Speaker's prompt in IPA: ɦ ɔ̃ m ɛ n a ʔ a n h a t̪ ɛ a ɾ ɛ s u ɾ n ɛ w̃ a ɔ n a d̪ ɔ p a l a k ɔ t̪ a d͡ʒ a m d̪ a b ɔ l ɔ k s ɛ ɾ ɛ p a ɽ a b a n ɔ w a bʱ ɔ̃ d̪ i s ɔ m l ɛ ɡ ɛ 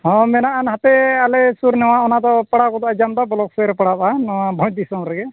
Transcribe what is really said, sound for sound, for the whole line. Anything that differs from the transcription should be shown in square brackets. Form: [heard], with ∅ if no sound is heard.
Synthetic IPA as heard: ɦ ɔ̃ m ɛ n a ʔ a n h a t̪ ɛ a [l] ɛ s u ɾ n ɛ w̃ a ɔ n a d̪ ɔ p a [ɽ] a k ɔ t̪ a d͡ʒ a m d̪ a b ɔ l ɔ k s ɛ ɾ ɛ p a ɽ a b a n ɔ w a bʱ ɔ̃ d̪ i s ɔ m [ɾ] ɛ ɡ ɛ